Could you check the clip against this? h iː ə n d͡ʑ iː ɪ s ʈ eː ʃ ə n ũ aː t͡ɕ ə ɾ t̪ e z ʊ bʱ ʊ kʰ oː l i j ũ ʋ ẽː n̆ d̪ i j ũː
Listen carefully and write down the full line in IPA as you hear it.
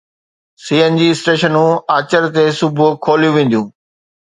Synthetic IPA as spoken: s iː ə n d͡ʑ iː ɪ s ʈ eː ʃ ə n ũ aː t͡ɕ ə ɾ t̪ e s ʊ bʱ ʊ kʰ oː l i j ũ ʋ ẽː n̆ d̪ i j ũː